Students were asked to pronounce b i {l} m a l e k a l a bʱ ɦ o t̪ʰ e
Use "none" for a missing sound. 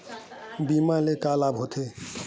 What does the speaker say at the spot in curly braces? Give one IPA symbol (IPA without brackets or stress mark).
none